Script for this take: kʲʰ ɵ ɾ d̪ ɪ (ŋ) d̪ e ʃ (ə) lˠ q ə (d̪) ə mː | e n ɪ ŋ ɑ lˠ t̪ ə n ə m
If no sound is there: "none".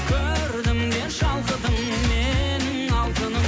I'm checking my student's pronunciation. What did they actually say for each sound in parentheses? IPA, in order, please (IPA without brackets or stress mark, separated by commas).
m, ɑ, d̪